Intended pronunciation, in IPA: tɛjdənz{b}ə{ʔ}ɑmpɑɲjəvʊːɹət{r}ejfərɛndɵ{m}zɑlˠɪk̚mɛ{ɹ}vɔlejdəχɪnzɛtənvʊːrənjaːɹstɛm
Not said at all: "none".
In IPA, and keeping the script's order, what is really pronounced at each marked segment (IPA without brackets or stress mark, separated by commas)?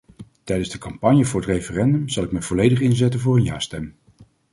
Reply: d, k, r, m, none